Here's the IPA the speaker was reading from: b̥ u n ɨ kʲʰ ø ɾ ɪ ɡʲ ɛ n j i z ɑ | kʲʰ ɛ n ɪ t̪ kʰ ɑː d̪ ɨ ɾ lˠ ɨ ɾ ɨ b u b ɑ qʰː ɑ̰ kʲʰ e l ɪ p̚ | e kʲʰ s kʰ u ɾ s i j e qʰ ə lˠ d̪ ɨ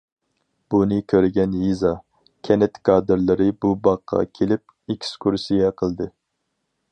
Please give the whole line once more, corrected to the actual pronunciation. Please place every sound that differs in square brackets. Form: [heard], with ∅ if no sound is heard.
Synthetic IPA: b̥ u n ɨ kʲʰ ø ɾ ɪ ɡʲ ɛ n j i z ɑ | kʲʰ ɛ n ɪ t̪ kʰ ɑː d̪ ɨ ɾ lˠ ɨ ɾ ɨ b u b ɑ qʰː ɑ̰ kʲʰ e l ɪ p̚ | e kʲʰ s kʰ u ɾ s i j [ɛ] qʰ ə lˠ d̪ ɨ